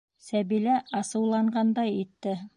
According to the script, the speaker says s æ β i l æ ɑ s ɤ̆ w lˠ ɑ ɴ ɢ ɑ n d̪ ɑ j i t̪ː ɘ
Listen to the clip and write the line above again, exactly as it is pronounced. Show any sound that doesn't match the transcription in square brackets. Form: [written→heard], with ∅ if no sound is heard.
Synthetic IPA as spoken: s æ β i l æ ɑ s ɤ̆ w lˠ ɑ ɴ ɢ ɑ n d̪ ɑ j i t̪ː ɘ